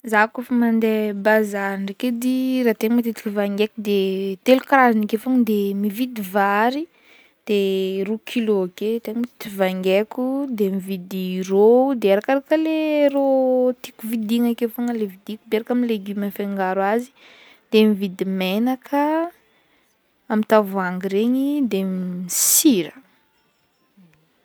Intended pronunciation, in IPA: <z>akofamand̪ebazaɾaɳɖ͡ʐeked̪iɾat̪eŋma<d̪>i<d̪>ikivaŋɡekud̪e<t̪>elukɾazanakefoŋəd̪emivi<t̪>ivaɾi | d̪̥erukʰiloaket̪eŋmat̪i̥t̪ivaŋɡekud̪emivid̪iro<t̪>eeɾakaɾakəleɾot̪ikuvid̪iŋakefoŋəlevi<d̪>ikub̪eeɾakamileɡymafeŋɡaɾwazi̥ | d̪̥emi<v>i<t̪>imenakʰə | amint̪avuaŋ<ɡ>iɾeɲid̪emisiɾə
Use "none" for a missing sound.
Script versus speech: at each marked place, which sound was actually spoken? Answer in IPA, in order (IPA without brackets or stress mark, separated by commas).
z, t̪, t̪, t̪, d̪, d̪, d̪, v, d̪, ɡ